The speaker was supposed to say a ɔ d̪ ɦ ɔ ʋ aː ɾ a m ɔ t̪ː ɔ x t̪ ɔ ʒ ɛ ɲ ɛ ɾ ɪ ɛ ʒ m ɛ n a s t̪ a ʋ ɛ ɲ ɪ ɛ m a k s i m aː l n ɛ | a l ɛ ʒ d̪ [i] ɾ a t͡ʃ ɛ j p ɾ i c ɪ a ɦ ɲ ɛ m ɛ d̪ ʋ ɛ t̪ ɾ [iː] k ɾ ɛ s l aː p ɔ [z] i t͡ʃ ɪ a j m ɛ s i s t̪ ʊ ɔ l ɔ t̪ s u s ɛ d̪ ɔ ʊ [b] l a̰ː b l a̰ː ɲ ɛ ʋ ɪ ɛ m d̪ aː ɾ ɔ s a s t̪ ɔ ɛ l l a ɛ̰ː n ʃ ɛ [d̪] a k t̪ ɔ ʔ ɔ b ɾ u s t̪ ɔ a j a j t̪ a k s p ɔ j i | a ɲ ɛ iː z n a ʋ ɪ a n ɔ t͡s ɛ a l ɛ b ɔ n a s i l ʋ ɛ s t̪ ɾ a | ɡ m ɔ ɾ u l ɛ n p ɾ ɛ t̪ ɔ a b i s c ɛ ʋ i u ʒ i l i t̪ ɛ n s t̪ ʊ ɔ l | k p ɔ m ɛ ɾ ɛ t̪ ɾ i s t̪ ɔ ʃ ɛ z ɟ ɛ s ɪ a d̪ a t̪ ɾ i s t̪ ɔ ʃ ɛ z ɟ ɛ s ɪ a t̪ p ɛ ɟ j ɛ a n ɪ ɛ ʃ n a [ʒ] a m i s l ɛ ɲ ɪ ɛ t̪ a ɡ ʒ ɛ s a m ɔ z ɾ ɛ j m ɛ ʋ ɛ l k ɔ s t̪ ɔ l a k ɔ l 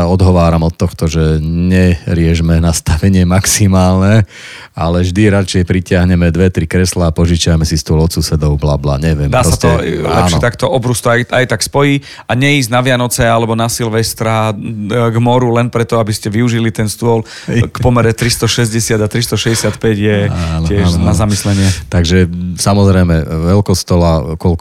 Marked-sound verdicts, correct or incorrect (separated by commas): correct, incorrect, incorrect, correct, incorrect, incorrect